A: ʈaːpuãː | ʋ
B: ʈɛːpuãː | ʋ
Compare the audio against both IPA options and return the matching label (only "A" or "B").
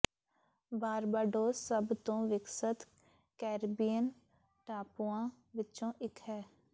A